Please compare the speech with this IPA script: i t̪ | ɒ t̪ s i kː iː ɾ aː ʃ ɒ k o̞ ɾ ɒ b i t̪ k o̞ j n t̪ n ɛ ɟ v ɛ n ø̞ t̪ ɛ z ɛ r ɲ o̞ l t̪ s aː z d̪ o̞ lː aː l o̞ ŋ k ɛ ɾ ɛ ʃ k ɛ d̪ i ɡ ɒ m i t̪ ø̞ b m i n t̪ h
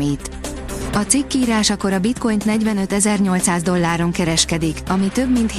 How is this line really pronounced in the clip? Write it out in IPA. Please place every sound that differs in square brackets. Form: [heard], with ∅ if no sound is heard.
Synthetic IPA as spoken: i t̪ | ɒ t̪ s i kː iː ɾ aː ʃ ɒ k o̞ ɾ ɒ b i t̪ k o̞ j n t̪ n ɛ ɟ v ɛ n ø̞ t̪ ɛ z ɛ r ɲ o̞ l t̪ s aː z d̪ o̞ lː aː [ɾ] o̞ ŋ k ɛ ɾ ɛ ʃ k ɛ d̪ i [k] ɒ m i t̪ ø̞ b m i n t̪ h